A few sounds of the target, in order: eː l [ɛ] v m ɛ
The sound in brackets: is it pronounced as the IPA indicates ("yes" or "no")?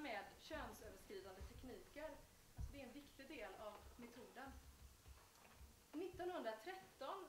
no